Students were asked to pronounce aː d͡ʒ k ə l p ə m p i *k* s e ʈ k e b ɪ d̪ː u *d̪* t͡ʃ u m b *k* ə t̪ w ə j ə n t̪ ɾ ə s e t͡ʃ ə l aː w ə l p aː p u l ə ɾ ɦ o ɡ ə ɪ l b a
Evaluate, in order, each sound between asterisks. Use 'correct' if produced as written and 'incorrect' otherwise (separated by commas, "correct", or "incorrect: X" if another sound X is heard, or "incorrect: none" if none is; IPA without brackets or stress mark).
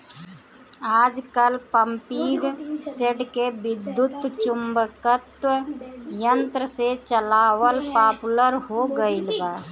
incorrect: ɡ, incorrect: t̪, correct